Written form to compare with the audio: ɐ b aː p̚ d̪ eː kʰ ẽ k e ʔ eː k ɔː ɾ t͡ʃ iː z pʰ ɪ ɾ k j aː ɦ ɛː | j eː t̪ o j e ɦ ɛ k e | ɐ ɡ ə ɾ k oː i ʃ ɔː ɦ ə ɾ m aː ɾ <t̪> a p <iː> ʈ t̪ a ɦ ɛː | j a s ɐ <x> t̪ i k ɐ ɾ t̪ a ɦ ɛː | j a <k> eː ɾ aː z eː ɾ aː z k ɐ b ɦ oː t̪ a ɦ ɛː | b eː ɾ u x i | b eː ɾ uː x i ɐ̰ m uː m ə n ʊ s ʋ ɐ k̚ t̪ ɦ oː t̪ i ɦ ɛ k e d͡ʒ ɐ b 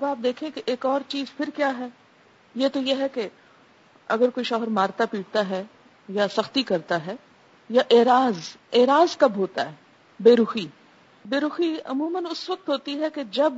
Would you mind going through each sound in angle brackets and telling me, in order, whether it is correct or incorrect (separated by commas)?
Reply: correct, correct, correct, incorrect